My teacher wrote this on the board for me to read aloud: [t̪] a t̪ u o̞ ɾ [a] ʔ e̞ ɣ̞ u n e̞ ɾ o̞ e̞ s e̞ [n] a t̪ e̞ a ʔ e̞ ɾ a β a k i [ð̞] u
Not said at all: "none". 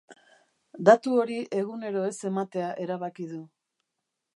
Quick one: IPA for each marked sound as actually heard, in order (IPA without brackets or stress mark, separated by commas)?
d̪, i, m, ð̞